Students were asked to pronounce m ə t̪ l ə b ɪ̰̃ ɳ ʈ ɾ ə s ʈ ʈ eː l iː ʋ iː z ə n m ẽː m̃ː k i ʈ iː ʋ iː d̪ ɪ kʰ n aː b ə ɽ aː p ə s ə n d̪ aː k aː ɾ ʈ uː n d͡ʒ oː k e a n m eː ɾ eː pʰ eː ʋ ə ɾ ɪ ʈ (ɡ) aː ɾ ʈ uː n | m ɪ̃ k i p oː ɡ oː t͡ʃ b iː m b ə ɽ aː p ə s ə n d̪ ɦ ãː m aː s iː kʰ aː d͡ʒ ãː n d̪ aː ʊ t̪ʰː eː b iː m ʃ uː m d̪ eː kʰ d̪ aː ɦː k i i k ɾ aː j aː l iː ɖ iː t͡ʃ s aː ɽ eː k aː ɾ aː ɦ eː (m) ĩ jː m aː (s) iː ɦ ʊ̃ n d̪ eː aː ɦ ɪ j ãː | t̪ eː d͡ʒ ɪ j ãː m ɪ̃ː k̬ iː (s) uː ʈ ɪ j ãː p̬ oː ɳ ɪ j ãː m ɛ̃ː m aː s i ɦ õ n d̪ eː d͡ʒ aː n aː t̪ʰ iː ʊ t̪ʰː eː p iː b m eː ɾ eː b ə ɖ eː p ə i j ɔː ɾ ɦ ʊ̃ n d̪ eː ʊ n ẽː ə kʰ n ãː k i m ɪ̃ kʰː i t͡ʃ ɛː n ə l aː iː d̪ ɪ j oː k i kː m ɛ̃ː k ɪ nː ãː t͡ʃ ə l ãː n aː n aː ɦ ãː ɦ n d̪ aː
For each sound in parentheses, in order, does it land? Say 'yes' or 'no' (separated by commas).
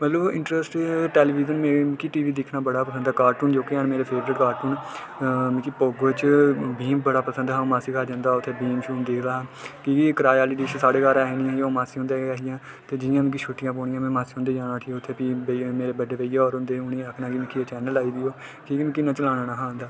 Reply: no, no, yes, no